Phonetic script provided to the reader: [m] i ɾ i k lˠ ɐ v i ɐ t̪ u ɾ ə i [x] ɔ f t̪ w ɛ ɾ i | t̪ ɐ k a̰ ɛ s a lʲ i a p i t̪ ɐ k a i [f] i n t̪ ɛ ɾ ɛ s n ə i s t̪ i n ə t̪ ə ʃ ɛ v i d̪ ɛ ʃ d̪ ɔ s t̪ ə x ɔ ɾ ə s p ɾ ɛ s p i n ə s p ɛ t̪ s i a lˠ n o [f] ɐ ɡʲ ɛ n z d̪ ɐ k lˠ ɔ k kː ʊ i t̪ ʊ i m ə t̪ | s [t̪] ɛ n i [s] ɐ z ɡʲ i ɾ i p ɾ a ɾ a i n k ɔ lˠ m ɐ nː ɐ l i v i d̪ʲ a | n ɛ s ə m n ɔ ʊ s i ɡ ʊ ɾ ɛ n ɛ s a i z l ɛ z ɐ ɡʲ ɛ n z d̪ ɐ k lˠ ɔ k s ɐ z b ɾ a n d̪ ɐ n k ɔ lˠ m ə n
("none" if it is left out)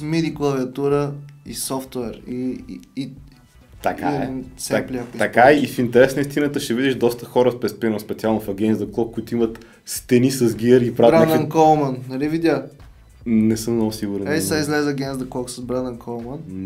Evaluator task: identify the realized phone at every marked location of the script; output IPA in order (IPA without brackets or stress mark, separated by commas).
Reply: m, s, f, f, t̪, s